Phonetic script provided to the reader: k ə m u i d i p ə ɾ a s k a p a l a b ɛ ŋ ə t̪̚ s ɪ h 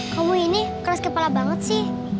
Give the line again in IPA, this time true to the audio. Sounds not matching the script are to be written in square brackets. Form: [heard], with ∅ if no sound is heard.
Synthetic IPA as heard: k [a] m u i [n] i [k] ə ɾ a s k [ə] p a l a b [a] ŋ ə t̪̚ s ɪ h